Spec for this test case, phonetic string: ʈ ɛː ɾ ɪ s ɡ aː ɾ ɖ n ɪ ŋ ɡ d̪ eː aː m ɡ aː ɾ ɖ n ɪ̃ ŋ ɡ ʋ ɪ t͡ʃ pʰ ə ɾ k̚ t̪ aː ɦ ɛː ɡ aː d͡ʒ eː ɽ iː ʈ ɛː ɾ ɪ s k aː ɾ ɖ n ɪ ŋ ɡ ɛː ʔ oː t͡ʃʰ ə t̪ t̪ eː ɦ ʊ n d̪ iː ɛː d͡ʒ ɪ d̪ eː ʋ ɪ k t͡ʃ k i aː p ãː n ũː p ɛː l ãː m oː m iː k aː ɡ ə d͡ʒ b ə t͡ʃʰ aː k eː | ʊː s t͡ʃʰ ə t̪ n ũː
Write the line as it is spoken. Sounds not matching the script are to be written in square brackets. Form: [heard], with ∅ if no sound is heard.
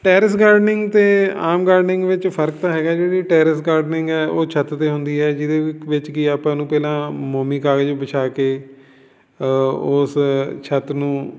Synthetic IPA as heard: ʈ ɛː ɾ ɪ s ɡ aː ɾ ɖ n ɪ ŋ ɡ [t̪] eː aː m ɡ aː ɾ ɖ n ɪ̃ ŋ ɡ ʋ ɪ t͡ʃ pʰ ə ɾ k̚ t̪ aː ɦ ɛː ɡ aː d͡ʒ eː ɽ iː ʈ ɛː ɾ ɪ s [ɡ] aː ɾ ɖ n ɪ ŋ ɡ ɛː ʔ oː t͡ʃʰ ə t̪ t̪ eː ɦ ʊ n d̪ iː ɛː d͡ʒ ɪ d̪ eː ʋ ɪ [∅] t͡ʃ k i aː p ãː n ũː p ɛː l ãː m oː m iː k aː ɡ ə d͡ʒ b ə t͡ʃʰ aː k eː | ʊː s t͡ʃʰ ə t̪ n ũː